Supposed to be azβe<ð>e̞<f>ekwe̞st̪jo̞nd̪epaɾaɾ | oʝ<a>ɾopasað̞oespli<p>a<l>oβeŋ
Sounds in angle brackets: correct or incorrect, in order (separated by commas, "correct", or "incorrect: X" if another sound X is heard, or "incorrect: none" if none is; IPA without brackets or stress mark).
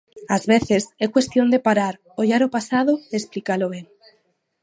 incorrect: θ, incorrect: s, correct, incorrect: k, correct